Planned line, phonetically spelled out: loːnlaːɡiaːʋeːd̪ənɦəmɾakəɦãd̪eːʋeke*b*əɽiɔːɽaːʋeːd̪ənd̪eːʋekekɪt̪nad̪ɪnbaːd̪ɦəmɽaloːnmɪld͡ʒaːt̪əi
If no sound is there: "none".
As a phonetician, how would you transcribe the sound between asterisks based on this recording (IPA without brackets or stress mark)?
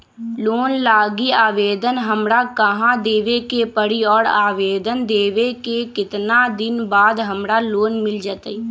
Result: p